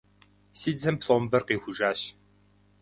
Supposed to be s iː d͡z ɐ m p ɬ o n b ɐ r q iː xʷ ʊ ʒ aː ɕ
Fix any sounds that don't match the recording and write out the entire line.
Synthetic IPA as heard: s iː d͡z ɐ m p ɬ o m b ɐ r q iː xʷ ʊ ʒ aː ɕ